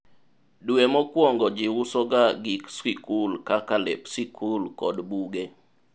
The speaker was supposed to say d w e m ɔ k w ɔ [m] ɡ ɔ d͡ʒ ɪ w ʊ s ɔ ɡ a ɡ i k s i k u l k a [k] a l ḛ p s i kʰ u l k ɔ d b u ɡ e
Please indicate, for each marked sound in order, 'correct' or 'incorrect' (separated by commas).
incorrect, correct